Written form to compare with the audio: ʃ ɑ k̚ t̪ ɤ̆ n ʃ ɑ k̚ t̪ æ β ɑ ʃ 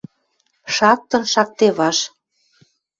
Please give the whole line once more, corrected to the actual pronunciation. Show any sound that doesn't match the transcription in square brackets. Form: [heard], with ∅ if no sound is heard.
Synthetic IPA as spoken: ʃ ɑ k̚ t̪ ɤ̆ n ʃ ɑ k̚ t̪ [e] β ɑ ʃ